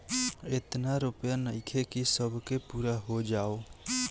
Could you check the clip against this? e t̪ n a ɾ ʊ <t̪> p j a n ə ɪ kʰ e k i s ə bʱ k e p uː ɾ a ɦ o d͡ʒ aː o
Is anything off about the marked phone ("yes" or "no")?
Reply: yes